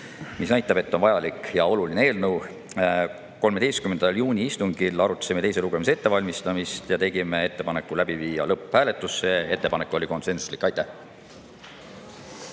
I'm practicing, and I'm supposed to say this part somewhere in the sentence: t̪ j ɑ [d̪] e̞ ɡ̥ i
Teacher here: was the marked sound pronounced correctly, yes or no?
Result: no